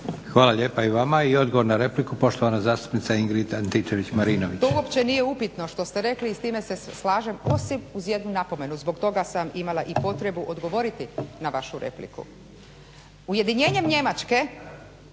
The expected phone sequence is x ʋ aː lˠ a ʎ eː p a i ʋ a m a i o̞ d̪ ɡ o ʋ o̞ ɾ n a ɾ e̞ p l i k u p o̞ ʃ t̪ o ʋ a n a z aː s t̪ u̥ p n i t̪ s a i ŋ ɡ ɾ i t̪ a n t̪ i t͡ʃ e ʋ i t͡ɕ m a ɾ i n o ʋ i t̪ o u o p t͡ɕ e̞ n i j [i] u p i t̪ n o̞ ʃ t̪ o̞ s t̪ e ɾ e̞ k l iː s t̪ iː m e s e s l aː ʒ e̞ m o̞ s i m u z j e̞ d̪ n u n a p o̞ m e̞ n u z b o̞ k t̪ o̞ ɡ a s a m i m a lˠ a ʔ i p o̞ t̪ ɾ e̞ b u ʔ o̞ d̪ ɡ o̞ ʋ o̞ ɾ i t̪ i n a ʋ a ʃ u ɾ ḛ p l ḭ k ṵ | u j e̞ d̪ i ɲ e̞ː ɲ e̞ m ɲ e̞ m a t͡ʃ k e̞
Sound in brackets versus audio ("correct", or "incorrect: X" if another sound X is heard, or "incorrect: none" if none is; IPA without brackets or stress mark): incorrect: e